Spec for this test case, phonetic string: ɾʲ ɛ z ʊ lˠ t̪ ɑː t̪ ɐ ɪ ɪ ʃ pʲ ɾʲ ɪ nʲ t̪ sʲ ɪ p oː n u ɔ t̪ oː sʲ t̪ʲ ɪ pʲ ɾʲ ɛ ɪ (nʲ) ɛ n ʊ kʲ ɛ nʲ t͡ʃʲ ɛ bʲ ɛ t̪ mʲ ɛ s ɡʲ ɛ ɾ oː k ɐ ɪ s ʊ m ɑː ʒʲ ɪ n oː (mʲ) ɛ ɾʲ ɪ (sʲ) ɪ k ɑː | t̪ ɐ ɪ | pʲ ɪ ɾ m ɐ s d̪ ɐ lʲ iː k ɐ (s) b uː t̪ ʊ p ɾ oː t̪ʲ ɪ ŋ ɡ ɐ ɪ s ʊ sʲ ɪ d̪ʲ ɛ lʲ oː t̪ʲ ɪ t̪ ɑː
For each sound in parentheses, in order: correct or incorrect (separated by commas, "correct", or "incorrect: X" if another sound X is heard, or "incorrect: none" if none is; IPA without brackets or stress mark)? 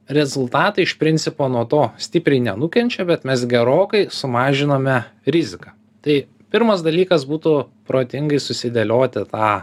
correct, correct, incorrect: zʲ, correct